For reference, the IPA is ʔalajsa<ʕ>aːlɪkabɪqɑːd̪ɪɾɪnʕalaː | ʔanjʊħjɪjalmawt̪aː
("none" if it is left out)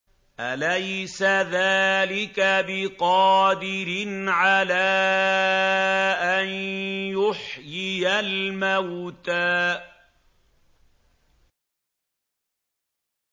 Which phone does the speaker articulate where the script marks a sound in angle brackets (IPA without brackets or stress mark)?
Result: ð